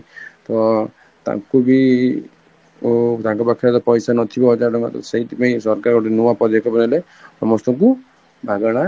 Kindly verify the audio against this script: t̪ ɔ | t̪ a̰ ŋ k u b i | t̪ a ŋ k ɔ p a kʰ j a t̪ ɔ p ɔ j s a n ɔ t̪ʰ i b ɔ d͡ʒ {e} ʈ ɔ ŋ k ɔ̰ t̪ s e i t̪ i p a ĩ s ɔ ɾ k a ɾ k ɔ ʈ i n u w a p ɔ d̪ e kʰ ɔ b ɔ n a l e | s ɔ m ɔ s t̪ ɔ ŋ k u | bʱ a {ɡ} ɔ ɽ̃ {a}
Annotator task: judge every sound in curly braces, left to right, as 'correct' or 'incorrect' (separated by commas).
incorrect, correct, correct